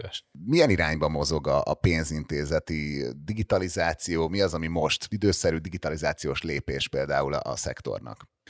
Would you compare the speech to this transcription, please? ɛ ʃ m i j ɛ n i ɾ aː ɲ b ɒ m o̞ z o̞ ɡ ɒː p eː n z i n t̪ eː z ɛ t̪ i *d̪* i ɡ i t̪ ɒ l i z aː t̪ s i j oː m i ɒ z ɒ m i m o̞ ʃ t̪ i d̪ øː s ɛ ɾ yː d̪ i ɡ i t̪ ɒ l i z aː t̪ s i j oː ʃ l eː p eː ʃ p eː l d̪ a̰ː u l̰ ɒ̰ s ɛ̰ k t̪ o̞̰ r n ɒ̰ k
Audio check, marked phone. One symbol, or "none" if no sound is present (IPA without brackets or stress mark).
d̪